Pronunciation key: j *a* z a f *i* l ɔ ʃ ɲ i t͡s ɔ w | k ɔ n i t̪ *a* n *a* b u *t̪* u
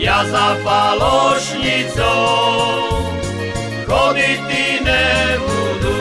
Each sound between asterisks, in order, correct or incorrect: correct, incorrect: a, incorrect: i, incorrect: ɛ, incorrect: d̪

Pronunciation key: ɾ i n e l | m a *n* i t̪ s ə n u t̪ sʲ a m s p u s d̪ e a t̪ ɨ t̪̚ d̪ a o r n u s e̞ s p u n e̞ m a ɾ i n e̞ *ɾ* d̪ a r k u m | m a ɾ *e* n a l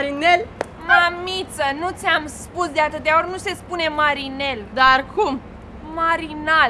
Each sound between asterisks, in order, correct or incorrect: incorrect: m, incorrect: l, incorrect: i

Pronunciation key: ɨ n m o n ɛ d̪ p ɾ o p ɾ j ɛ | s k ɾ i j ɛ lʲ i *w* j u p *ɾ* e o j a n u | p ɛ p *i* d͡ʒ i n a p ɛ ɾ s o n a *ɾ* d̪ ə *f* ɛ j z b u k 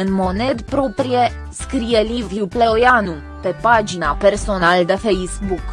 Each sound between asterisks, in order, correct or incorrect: incorrect: v, incorrect: l, incorrect: a, incorrect: l, correct

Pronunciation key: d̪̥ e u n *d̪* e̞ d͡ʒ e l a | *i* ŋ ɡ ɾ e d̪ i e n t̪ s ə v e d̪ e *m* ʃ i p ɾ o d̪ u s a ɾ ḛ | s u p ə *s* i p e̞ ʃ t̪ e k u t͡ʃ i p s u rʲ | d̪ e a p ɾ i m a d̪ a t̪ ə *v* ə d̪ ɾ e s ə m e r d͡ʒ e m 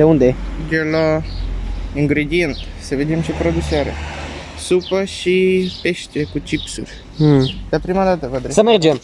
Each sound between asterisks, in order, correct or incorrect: correct, correct, correct, incorrect: ʃ, correct

